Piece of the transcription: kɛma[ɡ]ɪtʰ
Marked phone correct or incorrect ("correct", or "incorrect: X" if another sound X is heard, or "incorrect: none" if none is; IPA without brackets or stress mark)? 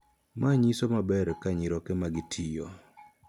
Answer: correct